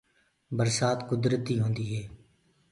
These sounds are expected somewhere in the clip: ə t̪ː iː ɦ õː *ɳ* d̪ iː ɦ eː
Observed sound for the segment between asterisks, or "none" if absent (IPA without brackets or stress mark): n